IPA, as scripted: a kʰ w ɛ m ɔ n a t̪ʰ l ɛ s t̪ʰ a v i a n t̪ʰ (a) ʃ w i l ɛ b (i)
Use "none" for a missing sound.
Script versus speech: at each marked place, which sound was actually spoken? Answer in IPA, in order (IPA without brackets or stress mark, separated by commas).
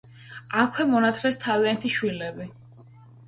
i, i